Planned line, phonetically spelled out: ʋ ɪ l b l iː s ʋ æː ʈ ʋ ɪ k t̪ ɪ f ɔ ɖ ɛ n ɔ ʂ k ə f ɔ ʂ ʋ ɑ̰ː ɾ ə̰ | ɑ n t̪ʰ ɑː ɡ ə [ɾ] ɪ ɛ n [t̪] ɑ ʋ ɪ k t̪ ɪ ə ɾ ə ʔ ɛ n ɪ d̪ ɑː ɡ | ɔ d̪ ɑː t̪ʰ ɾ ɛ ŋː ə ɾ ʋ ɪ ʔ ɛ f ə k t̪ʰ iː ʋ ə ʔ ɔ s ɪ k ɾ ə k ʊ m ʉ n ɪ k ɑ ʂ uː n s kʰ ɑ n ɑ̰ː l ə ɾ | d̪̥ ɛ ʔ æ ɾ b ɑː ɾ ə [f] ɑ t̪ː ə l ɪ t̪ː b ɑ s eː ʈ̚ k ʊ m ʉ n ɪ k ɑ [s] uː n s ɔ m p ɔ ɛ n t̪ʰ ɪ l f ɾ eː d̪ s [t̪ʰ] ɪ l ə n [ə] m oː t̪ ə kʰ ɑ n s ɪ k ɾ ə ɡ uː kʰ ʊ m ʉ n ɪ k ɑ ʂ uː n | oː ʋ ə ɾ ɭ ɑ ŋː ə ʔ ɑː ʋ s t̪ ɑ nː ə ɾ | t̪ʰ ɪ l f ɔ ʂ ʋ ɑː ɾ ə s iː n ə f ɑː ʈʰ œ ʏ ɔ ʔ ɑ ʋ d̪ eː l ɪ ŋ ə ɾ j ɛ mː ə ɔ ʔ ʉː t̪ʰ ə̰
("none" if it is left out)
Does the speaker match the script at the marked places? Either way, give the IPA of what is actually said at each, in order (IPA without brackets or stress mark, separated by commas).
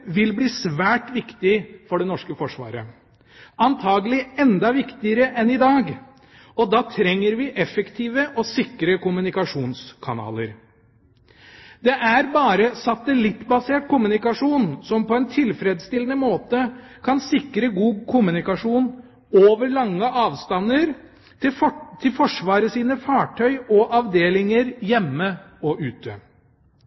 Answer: l, d̪, s, ʂ, t̪, ə